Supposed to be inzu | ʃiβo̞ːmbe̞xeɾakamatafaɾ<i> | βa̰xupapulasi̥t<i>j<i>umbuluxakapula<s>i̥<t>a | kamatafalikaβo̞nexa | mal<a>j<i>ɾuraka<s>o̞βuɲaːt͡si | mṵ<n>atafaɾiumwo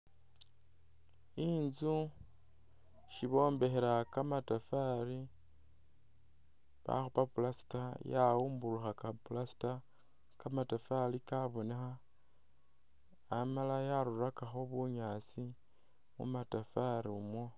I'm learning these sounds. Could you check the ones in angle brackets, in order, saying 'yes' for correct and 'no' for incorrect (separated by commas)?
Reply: yes, no, no, yes, yes, yes, no, no, no